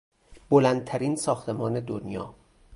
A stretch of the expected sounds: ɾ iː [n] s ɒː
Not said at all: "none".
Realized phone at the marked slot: n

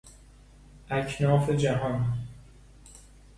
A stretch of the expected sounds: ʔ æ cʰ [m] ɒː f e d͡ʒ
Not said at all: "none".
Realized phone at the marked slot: n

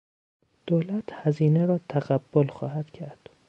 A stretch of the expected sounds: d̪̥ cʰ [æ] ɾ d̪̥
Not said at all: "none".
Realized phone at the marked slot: æ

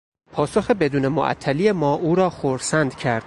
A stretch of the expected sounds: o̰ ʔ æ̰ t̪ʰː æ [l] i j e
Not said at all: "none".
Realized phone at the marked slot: l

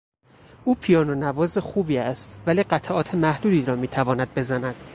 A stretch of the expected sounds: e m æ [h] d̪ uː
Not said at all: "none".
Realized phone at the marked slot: h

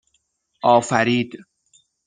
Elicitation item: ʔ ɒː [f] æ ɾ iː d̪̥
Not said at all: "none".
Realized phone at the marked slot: f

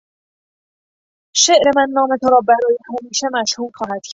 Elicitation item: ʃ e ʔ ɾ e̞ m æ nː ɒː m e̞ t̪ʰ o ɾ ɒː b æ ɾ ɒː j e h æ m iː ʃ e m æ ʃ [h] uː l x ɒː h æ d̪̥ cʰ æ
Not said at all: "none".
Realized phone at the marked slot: h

